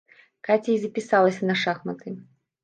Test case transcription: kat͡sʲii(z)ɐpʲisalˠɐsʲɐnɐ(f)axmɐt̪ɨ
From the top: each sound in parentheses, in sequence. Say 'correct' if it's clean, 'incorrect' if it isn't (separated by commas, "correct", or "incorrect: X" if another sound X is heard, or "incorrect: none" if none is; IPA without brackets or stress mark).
correct, incorrect: ʂ